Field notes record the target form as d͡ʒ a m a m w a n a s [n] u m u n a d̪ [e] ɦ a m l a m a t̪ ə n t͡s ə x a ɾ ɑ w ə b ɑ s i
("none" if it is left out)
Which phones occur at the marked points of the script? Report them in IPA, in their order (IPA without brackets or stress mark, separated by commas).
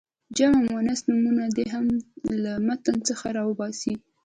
n, e